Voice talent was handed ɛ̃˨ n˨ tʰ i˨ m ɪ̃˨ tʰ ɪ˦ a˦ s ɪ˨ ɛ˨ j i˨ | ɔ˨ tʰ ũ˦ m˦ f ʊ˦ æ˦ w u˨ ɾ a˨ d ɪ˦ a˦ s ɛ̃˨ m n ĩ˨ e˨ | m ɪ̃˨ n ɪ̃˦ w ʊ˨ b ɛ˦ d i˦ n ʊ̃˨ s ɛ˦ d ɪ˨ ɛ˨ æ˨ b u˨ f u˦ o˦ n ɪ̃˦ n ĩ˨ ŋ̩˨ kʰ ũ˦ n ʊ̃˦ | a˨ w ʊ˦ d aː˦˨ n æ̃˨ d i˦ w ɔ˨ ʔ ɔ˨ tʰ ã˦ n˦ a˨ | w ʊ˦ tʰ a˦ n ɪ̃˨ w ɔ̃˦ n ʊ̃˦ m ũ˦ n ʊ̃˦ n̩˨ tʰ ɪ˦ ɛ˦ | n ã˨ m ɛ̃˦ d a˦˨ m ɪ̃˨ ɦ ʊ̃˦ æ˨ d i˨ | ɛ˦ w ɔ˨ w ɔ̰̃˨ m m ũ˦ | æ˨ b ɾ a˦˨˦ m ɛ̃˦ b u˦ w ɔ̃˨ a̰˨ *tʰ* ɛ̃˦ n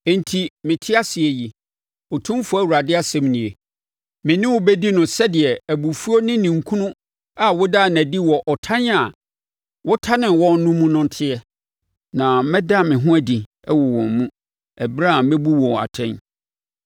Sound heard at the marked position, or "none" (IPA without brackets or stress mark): tʰ